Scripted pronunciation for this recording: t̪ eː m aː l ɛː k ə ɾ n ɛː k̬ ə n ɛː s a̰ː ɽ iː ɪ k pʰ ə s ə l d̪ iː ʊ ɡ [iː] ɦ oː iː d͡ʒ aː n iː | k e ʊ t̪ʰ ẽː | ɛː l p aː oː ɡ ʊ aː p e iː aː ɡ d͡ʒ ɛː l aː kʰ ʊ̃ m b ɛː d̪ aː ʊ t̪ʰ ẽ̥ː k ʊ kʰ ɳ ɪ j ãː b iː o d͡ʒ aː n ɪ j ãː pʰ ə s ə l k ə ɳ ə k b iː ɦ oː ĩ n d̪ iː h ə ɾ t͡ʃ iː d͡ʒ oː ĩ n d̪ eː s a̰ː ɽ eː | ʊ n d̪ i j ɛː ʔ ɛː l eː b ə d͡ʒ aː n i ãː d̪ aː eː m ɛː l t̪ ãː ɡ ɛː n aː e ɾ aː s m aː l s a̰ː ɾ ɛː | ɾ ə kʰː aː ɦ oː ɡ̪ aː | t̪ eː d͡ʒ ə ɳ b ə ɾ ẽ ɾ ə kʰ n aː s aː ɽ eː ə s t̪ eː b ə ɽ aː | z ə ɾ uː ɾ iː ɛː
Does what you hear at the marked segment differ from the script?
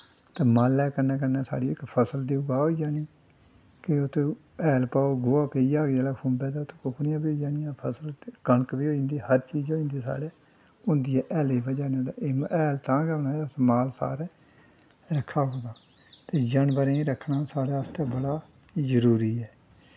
yes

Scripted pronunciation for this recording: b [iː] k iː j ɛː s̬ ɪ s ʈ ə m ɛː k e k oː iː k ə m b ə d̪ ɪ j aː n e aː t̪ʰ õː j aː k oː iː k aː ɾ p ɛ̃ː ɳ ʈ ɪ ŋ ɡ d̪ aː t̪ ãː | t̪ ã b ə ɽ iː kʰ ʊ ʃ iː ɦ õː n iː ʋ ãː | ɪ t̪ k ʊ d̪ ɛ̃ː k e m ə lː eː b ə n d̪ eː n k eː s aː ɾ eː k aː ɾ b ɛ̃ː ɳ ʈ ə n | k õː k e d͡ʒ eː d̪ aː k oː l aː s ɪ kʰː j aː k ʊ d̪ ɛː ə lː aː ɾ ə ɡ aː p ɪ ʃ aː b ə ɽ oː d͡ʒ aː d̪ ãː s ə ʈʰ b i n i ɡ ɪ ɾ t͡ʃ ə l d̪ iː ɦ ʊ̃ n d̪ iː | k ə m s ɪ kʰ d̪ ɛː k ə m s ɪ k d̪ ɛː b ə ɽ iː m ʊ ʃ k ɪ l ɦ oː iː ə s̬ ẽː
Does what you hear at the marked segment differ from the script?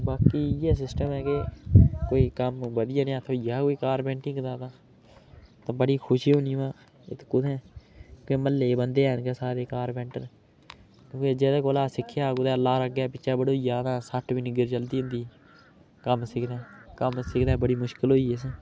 yes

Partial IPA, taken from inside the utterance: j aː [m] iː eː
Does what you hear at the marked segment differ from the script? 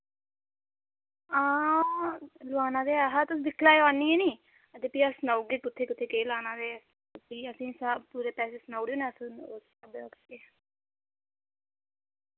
yes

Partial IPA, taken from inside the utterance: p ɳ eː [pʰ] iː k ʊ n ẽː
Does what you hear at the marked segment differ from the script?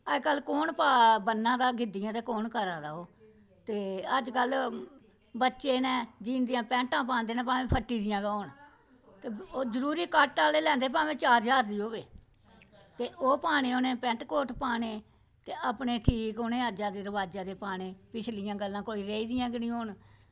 yes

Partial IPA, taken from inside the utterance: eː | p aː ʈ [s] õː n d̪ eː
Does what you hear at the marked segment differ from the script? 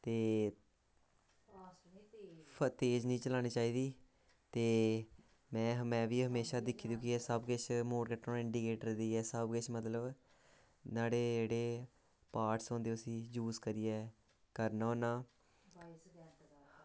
no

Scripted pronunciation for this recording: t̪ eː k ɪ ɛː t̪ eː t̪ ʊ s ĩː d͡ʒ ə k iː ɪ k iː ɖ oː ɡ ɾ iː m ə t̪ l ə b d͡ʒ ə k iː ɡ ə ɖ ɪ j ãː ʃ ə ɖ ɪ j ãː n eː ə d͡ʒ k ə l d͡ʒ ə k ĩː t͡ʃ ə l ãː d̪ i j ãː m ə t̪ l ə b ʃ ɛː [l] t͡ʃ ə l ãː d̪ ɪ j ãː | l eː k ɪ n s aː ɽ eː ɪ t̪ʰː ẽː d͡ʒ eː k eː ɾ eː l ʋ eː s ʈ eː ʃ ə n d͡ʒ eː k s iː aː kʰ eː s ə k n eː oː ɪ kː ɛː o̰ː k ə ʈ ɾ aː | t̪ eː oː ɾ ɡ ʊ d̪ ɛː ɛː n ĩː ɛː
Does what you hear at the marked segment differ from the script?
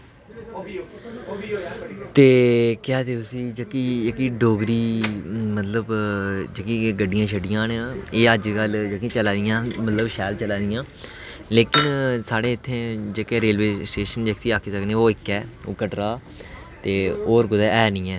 no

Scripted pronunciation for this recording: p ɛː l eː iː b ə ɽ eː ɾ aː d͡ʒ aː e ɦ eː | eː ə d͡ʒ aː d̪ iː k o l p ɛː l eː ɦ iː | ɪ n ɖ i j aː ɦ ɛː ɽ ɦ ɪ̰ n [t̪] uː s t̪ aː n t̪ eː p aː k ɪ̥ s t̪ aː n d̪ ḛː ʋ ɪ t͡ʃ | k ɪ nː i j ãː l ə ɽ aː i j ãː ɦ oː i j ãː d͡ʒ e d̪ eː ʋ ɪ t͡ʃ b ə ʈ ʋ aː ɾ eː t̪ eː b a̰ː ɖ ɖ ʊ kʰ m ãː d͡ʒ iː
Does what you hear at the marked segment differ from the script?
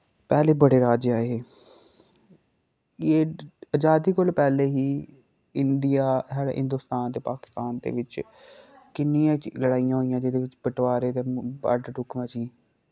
yes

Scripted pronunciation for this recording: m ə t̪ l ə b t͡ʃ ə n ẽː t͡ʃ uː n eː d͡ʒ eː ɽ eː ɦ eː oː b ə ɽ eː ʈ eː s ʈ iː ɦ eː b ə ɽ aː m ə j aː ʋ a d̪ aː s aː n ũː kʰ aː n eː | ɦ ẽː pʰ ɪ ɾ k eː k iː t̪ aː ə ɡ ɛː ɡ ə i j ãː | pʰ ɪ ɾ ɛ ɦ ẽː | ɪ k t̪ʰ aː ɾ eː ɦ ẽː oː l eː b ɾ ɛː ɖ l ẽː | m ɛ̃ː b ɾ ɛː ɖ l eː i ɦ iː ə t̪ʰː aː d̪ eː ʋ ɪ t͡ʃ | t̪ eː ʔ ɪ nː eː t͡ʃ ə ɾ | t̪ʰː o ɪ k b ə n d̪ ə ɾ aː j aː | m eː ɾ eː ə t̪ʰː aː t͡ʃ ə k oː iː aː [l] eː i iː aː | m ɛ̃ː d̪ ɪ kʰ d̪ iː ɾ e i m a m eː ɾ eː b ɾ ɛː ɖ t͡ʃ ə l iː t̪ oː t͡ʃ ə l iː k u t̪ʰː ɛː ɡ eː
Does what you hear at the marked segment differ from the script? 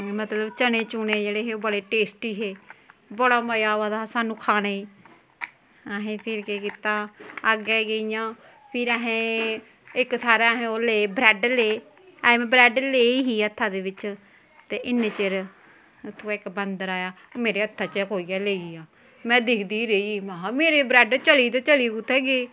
no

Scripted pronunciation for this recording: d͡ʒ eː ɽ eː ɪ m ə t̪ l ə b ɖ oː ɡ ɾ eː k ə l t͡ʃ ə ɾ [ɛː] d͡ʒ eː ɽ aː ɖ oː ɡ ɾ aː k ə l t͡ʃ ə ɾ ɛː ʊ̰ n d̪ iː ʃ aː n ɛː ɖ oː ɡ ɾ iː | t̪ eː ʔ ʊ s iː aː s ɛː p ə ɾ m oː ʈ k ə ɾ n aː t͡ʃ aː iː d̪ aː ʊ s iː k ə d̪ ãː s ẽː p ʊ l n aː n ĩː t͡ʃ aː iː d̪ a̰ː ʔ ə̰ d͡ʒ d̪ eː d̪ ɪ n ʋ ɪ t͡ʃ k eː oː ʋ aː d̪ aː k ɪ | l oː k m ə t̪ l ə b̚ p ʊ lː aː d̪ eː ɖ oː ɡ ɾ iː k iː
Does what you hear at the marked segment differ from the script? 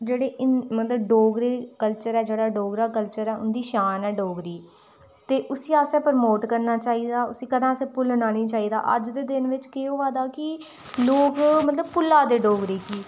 no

